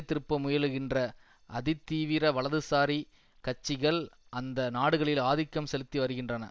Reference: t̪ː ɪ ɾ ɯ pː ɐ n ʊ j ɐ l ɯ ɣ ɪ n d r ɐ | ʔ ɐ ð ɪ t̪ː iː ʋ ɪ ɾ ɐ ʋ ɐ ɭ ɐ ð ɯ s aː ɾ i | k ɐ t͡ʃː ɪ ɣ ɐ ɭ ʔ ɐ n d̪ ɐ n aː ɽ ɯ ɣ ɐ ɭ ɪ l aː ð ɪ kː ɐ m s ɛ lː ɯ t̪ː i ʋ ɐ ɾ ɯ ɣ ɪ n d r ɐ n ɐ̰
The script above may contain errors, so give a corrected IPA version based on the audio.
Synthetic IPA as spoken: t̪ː ɪ ɾ ɯ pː ɐ m ʊ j ɐ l ɯ ɣ ɪ n d r ɐ | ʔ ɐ ð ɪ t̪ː iː ʋ ɪ ɾ ɐ ʋ ɐ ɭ ɐ ð ɯ s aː ɾ i | k ɐ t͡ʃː ɪ ɣ ɐ ɭ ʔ ɐ n d̪ ɐ n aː ɽ ɯ ɣ ɐ ɭ ɪ l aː ð ɪ kː ɐ m s ɛ l ɯ t̪ː i ʋ ɐ ɾ ɯ ɣ ɪ n d r ɐ n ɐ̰